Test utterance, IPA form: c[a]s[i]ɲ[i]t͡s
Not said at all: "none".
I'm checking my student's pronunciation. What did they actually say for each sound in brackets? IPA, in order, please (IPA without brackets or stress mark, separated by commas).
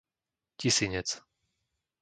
i, i, ɛ